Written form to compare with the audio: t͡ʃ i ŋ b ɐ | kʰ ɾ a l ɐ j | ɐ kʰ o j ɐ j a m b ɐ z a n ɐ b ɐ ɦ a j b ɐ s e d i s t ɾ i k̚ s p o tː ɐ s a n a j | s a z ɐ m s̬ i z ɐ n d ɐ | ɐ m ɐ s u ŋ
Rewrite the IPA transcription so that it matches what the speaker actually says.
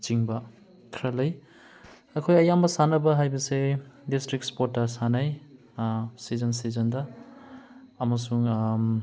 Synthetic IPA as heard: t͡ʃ i ŋ b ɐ | kʰ ɾ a l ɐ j | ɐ kʰ o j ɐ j a m b ɐ s a n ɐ b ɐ ɦ a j b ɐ s e d i s t ɾ i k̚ s p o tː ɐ s a n a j | s i z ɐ n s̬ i z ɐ n d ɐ | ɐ m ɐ s u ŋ